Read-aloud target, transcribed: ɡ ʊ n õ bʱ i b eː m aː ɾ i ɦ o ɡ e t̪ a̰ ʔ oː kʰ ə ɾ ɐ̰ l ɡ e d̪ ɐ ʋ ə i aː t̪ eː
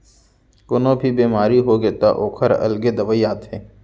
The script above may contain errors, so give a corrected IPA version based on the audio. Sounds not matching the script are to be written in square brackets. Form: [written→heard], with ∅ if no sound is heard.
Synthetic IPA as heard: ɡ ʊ n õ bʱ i b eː m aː ɾ i ɦ o ɡ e t̪ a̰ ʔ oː kʰ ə ɾ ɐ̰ l ɡ e d̪ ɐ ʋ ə i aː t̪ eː